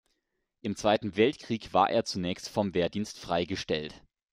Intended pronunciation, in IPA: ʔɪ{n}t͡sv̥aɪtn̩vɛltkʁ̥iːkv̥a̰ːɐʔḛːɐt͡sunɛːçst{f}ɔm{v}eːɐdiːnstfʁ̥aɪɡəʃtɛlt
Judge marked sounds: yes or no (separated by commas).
no, yes, yes